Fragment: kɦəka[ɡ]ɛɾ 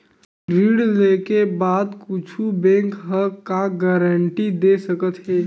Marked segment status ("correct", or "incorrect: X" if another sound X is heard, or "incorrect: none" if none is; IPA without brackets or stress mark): correct